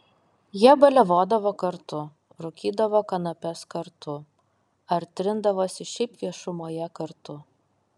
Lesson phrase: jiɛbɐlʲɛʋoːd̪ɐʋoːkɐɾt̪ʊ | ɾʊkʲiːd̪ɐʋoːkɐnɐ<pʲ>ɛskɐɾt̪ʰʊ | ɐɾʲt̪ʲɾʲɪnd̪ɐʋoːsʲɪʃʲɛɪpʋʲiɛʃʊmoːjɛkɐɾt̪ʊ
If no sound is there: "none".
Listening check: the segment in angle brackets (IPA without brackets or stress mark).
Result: pʲ